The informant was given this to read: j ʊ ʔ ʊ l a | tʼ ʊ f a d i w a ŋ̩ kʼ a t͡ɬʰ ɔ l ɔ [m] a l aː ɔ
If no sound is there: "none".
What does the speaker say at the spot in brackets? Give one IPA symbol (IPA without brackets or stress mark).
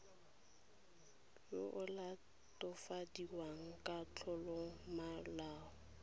m